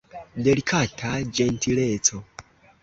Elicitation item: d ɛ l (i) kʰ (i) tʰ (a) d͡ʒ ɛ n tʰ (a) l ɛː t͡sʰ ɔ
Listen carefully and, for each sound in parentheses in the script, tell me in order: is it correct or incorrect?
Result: correct, incorrect: a, correct, incorrect: i

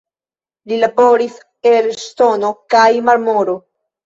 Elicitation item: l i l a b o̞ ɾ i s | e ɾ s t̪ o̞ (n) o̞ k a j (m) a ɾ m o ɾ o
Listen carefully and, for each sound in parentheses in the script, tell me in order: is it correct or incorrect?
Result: correct, correct

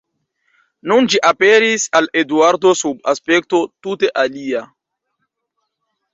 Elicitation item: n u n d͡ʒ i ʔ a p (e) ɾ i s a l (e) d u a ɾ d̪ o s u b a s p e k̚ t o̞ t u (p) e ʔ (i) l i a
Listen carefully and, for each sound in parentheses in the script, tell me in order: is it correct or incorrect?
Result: correct, correct, incorrect: t, incorrect: a

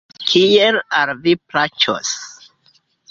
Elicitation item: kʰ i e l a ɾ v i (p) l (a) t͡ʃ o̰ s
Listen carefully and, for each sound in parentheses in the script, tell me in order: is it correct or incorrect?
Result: correct, correct

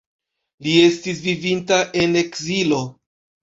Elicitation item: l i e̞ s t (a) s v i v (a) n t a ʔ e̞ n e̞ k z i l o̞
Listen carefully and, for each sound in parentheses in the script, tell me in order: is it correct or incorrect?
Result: incorrect: i, incorrect: i

